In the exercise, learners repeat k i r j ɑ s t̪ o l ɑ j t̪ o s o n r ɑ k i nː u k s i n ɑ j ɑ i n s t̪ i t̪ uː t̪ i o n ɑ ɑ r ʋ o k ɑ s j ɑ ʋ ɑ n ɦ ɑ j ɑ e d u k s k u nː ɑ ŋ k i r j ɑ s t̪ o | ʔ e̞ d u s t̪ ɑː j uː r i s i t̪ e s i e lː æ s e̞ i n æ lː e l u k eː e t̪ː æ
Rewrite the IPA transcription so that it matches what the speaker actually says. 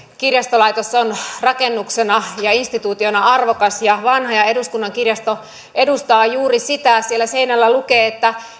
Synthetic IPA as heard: k i r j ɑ s t̪ o l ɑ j t̪ o s o n r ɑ k e nː u k s e n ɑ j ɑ i n s t̪ i t̪ uː t̪ i o n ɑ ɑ r ʋ o k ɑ s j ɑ ʋ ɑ n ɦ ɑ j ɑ e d u s k u nː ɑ ŋ k i r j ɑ s t̪ o | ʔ e̞ d u s t̪ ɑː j uː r i s i t̪ æ s i e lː æ s e̞ i n æ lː æ l u k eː e t̪ː æ